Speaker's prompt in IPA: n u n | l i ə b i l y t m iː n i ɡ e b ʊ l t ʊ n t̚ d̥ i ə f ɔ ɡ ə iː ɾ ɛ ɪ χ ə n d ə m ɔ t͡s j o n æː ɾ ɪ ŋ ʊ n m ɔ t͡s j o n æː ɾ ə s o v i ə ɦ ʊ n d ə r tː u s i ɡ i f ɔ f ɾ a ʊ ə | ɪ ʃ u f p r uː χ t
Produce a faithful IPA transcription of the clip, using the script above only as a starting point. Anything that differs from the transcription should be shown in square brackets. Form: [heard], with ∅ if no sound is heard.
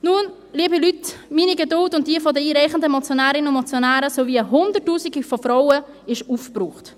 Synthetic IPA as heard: n u n | l i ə b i l y t m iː n i ɡ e [d] ʊ l t ʊ n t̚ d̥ i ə f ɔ [d] ə iː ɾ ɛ ɪ χ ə n d ə m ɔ t͡s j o n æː ɾ ɪ [n] ʊ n m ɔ t͡s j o n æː ɾ ə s o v i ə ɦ ʊ n d ə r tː [uː] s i ɡ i f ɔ f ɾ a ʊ ə | ɪ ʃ u f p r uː χ t